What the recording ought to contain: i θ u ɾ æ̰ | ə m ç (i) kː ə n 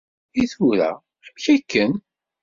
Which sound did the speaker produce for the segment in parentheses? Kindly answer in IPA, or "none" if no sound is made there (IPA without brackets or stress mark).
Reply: æ